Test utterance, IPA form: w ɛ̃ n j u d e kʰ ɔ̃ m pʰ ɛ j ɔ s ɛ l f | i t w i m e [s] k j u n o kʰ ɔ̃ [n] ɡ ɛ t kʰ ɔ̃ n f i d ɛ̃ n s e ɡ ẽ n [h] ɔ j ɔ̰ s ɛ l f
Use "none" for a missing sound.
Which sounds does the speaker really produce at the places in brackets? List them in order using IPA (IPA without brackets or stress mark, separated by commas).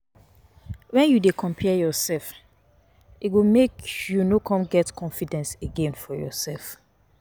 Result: none, m, f